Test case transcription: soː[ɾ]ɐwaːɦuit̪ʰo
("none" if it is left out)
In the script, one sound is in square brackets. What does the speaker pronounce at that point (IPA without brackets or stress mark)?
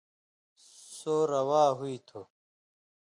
ɾ